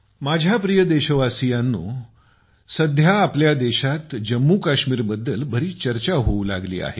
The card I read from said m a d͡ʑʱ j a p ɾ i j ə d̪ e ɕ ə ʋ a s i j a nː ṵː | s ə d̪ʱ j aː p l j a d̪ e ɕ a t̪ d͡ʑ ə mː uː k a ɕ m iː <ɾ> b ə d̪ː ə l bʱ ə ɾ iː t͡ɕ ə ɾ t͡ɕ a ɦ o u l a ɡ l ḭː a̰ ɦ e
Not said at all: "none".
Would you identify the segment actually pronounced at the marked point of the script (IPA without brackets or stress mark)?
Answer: ɾ